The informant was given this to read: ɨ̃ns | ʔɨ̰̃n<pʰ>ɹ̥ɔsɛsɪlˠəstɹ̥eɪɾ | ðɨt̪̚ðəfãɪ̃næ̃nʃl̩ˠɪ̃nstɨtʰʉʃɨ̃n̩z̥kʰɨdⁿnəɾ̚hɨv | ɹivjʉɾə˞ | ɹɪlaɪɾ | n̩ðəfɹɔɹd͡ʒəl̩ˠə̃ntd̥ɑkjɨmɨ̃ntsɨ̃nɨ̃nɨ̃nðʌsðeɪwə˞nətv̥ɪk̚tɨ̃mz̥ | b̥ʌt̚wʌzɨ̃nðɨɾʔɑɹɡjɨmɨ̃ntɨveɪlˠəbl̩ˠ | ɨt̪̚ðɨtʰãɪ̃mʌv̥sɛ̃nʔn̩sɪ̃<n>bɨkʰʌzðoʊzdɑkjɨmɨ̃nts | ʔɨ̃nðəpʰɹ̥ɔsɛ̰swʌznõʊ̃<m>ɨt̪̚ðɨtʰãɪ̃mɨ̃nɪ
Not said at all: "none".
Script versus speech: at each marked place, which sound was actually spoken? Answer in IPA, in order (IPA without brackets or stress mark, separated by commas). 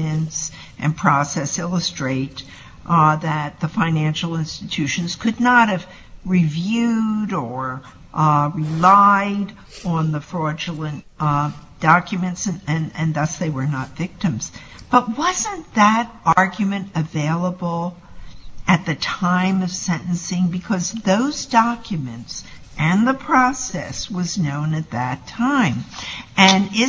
pʰ, ŋ, n